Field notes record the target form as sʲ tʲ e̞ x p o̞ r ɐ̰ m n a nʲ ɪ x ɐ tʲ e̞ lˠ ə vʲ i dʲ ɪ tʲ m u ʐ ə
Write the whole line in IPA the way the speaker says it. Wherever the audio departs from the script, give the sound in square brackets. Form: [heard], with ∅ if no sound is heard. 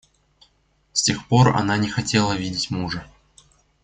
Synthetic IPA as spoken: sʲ tʲ e̞ x p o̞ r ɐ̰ [∅] n a nʲ ɪ x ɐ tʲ e̞ lˠ ə vʲ i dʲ ɪ tʲ m u ʐ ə